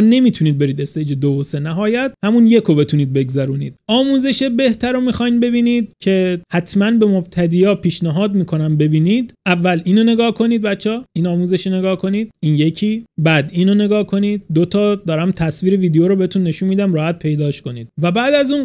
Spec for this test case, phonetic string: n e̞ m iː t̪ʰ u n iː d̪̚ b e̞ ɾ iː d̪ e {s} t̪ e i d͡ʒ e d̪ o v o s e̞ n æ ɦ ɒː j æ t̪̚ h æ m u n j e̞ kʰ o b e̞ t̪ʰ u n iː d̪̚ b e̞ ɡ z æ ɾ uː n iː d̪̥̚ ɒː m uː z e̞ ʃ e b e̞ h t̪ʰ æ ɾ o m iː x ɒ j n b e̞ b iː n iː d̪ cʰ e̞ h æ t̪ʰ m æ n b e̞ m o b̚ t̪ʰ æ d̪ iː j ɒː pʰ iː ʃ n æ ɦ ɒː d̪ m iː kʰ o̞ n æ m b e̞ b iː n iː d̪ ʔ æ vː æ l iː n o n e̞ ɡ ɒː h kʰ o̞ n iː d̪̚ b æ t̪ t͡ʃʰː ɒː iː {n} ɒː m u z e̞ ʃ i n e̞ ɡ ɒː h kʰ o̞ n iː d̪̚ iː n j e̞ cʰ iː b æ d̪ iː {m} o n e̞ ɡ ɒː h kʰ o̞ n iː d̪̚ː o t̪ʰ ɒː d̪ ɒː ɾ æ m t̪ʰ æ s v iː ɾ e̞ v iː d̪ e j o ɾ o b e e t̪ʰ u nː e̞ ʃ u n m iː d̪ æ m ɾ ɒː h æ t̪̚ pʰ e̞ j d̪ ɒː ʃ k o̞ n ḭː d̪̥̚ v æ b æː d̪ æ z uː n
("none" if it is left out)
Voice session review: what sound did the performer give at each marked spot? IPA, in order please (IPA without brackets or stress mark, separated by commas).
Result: s, n, n